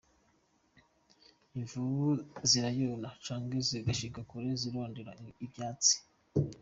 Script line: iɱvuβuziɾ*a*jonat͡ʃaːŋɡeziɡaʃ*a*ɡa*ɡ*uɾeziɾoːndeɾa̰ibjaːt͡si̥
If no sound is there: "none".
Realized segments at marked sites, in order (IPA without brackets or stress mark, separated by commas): a, i, k